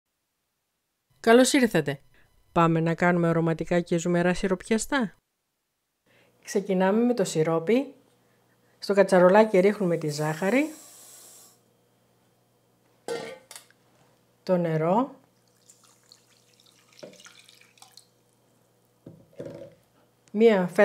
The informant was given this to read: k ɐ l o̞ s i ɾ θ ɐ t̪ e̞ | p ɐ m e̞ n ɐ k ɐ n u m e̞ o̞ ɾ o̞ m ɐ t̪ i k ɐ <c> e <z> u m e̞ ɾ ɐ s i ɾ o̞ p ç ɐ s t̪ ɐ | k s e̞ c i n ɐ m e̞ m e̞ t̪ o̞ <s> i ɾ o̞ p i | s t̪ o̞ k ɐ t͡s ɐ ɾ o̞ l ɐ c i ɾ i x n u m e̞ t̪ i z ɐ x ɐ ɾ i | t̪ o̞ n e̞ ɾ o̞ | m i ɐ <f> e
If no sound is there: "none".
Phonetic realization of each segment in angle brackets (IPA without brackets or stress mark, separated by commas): c, z, s, f